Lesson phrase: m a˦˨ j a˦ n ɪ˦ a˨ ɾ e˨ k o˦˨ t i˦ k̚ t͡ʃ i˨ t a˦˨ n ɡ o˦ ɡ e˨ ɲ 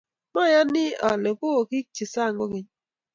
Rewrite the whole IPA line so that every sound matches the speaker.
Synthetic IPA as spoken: m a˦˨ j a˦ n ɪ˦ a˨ l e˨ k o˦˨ k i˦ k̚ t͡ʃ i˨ s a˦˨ ŋ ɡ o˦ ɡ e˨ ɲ